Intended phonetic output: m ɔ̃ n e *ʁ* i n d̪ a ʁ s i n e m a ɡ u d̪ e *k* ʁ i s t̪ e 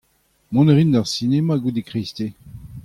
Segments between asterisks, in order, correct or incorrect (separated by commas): correct, correct